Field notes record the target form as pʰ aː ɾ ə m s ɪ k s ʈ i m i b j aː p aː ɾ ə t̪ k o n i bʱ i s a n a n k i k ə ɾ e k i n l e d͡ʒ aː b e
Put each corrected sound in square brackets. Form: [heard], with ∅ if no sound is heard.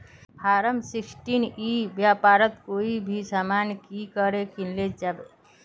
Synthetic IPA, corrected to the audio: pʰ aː ɾ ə m s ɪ k s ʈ i [n] i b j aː p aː ɾ ə t̪ k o [∅] i bʱ i s a [m] a n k i k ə ɾ e k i n l e d͡ʒ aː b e